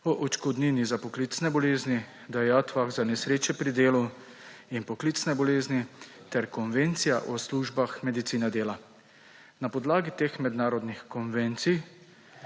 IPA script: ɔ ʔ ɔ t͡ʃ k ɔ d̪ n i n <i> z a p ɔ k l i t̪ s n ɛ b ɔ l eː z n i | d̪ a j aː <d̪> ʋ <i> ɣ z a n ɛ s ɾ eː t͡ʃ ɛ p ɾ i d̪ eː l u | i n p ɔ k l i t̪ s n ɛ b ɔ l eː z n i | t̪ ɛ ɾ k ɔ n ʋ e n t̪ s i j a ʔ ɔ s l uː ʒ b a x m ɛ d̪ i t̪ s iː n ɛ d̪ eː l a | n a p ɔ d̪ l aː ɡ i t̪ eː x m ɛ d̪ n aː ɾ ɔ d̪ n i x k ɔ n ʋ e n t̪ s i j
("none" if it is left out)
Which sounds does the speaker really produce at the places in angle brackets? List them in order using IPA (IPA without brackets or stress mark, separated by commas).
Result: i, t̪, a